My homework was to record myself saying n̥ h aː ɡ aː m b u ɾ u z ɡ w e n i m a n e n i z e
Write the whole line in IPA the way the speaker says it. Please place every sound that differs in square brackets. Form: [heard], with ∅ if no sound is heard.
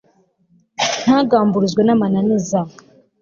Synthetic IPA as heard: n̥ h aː ɡ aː m b u ɾ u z ɡ w e n [a] m a n [a] n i z [a]